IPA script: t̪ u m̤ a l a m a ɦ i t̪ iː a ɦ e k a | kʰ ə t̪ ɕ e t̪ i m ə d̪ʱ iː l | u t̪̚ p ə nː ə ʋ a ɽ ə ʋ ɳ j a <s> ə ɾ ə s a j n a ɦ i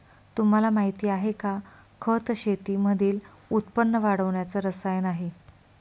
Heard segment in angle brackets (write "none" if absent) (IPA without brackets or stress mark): t͡s